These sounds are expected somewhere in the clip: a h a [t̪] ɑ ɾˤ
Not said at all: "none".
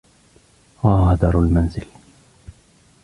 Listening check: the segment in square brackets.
d̪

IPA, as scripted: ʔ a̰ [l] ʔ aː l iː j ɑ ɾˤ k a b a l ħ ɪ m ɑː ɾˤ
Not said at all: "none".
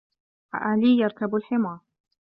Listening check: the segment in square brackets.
none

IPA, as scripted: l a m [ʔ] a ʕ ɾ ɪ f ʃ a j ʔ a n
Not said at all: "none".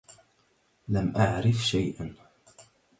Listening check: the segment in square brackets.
ʔ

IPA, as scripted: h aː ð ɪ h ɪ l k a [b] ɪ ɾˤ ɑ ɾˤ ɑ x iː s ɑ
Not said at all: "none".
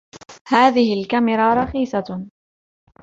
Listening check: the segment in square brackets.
m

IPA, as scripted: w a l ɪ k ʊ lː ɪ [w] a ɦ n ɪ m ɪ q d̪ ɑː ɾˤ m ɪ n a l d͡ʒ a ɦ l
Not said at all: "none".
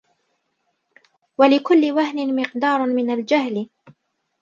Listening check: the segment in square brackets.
w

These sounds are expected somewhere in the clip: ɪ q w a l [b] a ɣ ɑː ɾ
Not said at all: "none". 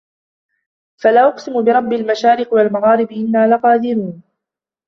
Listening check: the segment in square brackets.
m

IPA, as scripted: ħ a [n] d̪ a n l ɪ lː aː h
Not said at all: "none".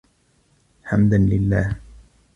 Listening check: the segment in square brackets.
m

